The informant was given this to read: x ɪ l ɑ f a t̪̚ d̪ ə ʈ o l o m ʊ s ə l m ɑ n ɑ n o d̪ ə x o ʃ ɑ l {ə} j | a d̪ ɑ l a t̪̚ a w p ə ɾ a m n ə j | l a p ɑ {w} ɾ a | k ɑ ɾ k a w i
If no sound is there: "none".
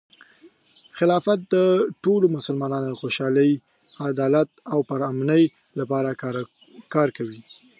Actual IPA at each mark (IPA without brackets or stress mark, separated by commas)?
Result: ə, none